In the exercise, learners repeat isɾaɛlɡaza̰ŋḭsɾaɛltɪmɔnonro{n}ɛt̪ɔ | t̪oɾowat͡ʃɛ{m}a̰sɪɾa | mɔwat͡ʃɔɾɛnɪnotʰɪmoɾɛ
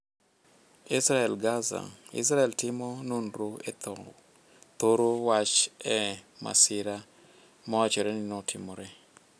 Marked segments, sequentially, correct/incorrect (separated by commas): incorrect, correct